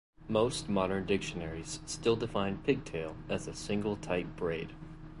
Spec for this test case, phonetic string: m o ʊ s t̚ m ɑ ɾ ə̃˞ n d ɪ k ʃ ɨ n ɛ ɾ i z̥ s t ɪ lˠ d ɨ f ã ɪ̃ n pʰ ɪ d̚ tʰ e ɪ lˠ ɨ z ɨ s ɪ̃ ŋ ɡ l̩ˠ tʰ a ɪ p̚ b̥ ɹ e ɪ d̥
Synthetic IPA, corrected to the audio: m o ʊ s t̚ m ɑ ɾ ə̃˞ n d ɪ k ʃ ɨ n ɛ ɹ i z̥ s t ɪ lˠ d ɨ f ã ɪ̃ n pʰ ɪ ɡ̚ tʰ e ɪ lˠ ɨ z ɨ s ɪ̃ ŋ ɡ l̩ˠ tʰ a ɪ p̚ b̥ ɹ e ɪ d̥